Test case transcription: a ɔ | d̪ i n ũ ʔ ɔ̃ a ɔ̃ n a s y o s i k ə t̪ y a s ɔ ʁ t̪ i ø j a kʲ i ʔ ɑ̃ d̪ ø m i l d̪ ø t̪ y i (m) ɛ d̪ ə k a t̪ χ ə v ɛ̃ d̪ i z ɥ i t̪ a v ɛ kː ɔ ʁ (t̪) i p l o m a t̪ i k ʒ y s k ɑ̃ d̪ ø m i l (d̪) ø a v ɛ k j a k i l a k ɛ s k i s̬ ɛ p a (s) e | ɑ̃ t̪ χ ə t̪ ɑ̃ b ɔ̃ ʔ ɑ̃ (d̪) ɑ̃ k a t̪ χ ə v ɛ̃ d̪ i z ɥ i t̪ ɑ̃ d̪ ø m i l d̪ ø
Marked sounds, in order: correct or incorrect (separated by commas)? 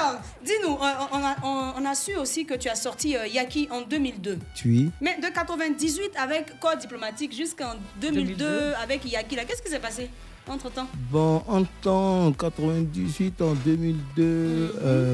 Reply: correct, incorrect, correct, correct, incorrect